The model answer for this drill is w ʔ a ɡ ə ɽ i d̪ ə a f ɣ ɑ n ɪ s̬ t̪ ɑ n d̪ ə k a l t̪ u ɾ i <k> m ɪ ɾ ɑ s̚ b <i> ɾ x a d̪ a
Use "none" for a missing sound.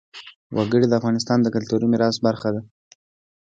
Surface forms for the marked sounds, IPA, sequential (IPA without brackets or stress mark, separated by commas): none, a